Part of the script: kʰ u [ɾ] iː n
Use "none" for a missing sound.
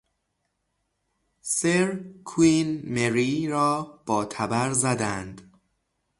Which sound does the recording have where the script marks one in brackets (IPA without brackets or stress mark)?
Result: none